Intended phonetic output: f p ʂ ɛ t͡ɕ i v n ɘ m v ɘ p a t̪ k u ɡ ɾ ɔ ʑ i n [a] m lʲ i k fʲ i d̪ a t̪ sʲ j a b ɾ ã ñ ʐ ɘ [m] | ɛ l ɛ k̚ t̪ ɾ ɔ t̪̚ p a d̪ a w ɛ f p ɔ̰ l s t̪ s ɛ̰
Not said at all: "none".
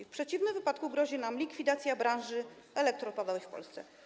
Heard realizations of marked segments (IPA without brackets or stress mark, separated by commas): a, none